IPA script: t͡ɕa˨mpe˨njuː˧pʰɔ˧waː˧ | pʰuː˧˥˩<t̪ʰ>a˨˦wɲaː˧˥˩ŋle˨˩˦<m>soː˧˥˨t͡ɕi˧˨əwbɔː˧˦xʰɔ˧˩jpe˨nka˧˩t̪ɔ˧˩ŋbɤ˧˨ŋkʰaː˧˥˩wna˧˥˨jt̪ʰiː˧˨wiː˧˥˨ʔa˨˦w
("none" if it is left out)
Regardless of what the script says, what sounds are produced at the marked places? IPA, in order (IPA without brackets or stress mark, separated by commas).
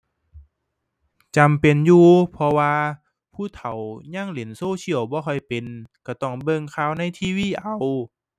t̪ʰ, n